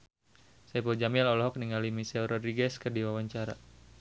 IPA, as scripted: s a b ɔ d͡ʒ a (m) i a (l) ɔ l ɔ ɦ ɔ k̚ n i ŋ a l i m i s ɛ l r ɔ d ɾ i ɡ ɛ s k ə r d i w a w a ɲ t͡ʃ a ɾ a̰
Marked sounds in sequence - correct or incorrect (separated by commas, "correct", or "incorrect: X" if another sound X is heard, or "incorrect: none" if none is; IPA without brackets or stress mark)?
correct, correct